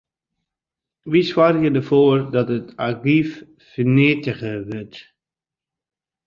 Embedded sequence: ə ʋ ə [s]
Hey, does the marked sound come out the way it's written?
no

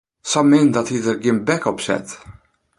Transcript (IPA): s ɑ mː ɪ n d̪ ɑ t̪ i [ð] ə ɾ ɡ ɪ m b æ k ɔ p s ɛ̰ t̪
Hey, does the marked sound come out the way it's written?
yes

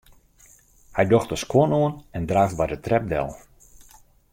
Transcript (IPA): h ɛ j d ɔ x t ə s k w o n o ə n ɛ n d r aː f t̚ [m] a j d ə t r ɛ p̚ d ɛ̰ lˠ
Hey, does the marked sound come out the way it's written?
no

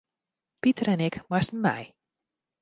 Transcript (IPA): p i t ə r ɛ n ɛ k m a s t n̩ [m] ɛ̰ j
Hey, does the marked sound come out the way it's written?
yes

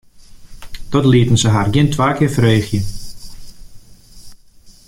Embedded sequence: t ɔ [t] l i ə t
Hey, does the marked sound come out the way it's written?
yes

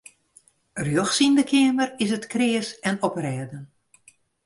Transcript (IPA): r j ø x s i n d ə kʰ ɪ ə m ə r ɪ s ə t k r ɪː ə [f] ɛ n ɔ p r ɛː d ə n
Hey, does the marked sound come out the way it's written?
no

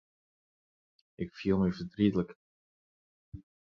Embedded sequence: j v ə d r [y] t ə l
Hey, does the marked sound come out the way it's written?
no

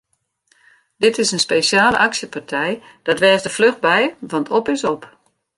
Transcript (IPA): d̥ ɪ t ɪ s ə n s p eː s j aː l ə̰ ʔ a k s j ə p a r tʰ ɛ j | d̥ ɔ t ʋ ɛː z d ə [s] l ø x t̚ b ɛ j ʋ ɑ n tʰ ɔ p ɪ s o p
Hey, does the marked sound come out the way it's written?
no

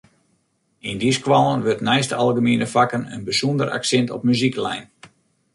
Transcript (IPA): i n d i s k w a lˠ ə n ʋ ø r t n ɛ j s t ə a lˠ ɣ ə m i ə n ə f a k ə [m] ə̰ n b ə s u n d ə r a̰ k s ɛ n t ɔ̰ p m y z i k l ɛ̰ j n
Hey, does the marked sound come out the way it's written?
no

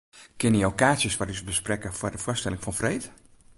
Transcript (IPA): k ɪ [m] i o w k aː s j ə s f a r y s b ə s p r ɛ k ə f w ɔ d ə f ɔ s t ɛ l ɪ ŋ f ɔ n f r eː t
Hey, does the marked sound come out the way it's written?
no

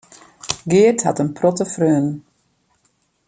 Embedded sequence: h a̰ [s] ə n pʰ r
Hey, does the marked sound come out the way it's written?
no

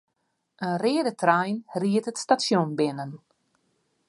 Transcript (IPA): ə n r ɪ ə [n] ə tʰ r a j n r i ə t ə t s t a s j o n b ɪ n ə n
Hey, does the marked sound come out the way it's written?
no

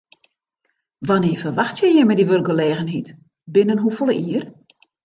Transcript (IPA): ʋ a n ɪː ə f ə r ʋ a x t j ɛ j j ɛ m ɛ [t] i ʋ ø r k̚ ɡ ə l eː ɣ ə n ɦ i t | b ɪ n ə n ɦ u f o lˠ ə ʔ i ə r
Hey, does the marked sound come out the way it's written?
no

